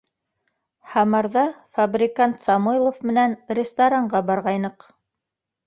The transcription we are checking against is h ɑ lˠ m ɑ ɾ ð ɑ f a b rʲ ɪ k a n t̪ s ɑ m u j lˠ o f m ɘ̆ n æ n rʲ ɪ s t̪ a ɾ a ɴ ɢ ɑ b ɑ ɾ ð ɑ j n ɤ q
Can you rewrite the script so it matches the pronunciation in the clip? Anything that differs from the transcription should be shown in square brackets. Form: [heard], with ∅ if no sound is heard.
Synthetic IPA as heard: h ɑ [∅] m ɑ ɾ ð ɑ f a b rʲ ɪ k a n t̪ s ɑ m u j lˠ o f m ɘ̆ n æ n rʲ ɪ s t̪ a ɾ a ɴ ɢ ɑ b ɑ ɾ [ʁ] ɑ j n ɤ q